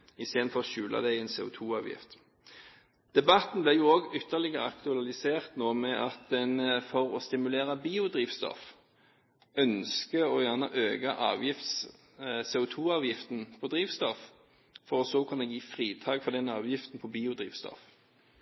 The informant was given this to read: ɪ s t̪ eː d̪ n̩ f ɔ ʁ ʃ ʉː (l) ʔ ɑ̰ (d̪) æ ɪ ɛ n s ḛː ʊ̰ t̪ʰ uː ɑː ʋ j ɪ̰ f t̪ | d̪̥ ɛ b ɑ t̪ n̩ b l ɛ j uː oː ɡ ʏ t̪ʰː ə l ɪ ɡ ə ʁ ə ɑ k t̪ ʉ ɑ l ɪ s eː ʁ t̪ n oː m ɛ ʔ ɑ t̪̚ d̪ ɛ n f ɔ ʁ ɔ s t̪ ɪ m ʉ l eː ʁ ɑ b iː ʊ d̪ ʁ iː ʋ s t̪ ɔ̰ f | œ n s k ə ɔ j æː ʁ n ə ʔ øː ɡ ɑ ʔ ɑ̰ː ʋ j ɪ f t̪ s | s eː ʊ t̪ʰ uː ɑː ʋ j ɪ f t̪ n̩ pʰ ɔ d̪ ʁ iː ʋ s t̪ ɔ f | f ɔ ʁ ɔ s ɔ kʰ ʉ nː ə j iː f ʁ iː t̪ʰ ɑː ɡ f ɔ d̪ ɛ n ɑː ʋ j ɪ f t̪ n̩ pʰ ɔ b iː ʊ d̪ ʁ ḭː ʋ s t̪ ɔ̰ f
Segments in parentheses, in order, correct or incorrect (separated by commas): correct, correct